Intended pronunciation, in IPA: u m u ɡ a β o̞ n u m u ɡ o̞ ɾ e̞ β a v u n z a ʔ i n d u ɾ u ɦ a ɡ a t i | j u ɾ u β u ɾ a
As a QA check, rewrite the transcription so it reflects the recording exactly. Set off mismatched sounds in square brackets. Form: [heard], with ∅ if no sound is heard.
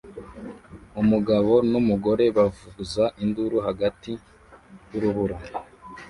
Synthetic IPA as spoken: u m u ɡ a β o̞ n u m u ɡ o̞ ɾ e̞ β a v u [∅] z a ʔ i n d u ɾ u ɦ a ɡ a t i | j u ɾ u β u ɾ a

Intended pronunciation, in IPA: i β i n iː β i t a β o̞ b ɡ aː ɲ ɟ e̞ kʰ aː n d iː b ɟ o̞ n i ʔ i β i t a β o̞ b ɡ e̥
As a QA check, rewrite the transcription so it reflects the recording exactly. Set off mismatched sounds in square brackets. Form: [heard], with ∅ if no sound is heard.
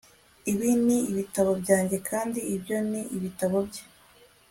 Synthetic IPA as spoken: i β i n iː β i t a β o̞ b [ɟ] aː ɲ ɟ e̞ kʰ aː n d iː b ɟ o̞ n i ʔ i β i t a β o̞ b [ɟ] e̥

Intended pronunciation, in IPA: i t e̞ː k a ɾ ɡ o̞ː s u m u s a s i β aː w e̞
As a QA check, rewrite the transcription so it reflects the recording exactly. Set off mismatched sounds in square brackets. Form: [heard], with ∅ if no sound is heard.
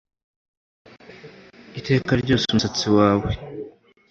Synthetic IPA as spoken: i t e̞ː k a ɾ [ɟ] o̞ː s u m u s a [t͡s] i [w] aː w e̞

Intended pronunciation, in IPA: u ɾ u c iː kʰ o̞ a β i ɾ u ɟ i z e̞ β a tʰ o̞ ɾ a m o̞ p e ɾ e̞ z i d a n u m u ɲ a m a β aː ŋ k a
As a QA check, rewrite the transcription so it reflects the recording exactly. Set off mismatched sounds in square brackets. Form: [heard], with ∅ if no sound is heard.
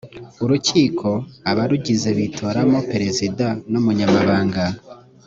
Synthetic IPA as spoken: u ɾ u c iː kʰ o̞ a β [a] ɾ u ɟ i z e̞ β [i] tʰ o̞ ɾ a m o̞ p e ɾ e̞ z i d a n u m u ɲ a m a β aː ŋ [ɡ] a

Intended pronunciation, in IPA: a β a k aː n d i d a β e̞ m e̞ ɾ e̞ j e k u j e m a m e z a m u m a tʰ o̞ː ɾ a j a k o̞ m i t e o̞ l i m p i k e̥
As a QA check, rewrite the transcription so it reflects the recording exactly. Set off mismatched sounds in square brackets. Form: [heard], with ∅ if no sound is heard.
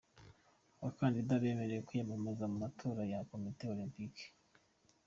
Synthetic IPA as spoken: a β a k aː n d i d a β e̞ m e̞ ɾ e̞ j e k u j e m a m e z a m u m a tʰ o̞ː ɾ a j a k o̞ m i t e o̞ l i m p i k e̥

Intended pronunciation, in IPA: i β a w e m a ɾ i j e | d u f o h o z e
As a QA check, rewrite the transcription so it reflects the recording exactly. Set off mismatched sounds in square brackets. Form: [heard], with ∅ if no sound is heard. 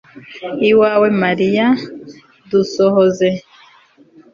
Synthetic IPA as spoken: i [w] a w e m a ɾ i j [a] | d u [s] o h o z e

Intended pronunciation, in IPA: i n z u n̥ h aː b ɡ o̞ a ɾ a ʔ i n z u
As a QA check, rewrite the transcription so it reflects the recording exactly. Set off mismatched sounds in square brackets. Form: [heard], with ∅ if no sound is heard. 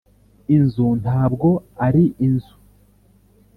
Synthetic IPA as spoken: i n z u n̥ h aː b ɡ o̞ a ɾ [i] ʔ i n z u

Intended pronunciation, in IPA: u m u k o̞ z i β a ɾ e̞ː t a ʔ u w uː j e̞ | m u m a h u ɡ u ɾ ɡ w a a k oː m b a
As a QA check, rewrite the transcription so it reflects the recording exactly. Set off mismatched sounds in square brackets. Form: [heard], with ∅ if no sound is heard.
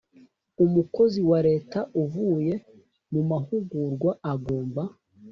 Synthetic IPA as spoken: u m u k o̞ z i [w] a ɾ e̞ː t a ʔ u [v] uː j e̞ | m u m a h u ɡ u ɾ ɡ w a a [ɡ] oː m b a

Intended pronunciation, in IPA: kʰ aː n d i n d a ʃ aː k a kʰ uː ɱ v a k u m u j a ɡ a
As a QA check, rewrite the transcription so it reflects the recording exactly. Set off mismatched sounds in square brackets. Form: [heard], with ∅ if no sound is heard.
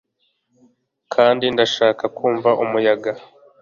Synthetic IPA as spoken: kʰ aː n d i n d a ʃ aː k a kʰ uː ɱ v a [ʔ] u m u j a ɡ a

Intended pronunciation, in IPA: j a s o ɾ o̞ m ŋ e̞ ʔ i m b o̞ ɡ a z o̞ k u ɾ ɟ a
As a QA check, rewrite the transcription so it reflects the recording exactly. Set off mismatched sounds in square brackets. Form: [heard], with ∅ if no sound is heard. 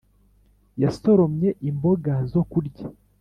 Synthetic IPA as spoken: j a s o ɾ o̞ m [ɲ] e̞ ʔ i m b o̞ ɡ a z o̞ k u ɾ ɟ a

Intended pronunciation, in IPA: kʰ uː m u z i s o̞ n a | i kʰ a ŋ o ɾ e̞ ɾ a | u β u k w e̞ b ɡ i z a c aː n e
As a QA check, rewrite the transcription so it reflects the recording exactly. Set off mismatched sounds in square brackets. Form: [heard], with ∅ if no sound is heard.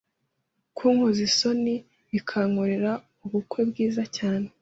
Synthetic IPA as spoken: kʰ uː [ŋ] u z i s o̞ n [i] | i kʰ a ŋ o ɾ e̞ ɾ a | u β u k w e̞ b ɡ [iː] z a c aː n e

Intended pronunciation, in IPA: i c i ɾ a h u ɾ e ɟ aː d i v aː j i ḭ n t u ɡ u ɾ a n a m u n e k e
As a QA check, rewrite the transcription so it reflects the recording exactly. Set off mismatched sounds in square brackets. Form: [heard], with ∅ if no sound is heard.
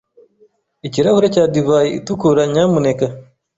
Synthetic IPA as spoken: i c i ɾ a h u ɾ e [c] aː d i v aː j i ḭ [∅] t u [k] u ɾ a [ɲ] a m u n e k [a]

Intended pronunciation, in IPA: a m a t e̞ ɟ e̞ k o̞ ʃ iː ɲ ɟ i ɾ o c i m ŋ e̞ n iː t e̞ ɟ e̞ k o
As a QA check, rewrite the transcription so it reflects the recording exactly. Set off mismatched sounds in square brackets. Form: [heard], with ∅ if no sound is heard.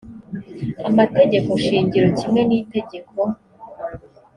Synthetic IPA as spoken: a m a t e̞ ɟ e̞ k o̞ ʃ iː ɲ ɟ i ɾ o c i m ŋ e̞ n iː t e̞ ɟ e̞ k o

